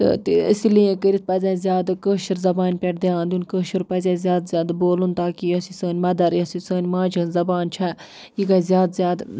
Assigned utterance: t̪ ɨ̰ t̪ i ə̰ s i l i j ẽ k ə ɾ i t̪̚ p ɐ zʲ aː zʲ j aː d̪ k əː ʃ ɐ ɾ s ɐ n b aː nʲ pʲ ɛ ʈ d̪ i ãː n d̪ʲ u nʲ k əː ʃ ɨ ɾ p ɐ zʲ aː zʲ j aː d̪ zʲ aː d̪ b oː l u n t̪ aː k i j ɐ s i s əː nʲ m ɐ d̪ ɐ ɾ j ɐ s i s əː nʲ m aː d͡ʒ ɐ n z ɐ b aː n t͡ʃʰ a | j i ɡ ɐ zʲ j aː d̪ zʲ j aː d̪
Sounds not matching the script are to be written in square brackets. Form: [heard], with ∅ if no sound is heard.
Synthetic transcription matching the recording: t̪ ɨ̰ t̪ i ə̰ s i l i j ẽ k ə ɾ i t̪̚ p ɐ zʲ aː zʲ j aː d̪ k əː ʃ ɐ ɾ [z] ɐ [∅] b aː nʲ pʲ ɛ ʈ d̪ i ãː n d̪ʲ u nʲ k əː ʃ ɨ ɾ p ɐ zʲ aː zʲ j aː d̪ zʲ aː d̪ b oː l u n t̪ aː k i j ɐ s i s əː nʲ m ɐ d̪ ɐ ɾ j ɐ s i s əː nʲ m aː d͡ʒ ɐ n z ɐ b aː n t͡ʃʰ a | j i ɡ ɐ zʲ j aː d̪ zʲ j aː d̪